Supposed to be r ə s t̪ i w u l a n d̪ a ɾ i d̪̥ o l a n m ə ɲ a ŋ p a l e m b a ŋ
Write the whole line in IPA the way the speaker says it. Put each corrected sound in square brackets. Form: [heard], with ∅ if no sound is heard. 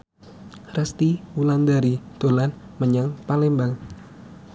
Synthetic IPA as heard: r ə s t̪ i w u l a n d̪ a ɾ i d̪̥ o l a n m ə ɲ a ŋ p a l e m b a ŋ